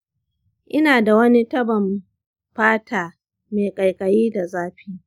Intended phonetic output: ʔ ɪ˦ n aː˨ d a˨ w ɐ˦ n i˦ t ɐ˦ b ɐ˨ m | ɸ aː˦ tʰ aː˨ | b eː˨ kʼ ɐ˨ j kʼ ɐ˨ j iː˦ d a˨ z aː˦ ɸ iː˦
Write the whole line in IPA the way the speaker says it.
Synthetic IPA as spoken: ʔ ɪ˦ n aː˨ d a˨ w ɐ˦ n i˦ t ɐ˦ b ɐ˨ m | ɸ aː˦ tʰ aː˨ | m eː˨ kʼ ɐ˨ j kʼ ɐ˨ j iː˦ d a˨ z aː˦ ɸ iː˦